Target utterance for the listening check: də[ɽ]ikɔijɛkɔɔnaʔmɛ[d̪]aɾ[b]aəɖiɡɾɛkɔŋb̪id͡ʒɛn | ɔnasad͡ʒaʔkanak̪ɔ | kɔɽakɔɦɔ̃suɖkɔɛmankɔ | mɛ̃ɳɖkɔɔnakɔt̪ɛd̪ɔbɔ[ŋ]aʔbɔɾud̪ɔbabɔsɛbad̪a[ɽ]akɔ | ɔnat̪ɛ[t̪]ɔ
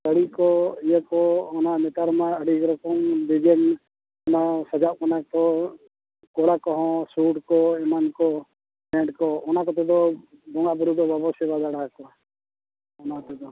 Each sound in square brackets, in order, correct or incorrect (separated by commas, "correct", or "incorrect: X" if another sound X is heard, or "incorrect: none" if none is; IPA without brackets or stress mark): correct, incorrect: t̪, incorrect: m, correct, correct, incorrect: d̪